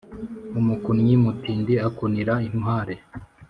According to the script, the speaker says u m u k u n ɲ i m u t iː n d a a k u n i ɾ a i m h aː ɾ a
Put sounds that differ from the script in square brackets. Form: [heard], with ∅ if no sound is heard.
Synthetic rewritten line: u m u k u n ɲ i m u t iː n d [i] a k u n i ɾ a i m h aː ɾ [e]